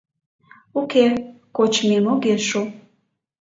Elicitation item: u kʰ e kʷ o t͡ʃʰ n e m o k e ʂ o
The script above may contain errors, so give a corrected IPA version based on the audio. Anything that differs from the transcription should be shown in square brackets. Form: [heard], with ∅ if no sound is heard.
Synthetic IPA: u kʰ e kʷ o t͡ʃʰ [m] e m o [ɡ] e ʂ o